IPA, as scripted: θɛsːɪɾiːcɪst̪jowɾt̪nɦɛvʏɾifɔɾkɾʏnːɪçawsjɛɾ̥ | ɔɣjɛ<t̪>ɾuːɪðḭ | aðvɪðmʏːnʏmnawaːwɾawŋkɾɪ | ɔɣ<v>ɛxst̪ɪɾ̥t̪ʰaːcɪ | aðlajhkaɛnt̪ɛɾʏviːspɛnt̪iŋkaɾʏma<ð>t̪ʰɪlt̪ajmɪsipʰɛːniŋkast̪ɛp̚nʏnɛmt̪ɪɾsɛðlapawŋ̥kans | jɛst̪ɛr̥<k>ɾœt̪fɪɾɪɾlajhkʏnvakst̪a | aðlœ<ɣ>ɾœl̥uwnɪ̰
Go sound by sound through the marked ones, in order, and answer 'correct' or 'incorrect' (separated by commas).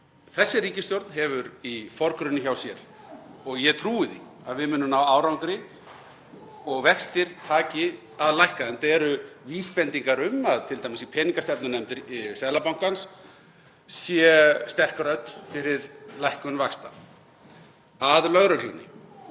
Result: incorrect, correct, correct, correct, correct